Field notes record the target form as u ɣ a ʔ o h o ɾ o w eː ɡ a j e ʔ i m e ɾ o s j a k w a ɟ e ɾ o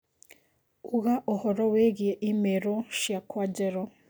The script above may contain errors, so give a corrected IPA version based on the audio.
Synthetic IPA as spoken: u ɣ a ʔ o h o ɾ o w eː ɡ i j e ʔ i m e ɾ o ʃ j a k w a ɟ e ɾ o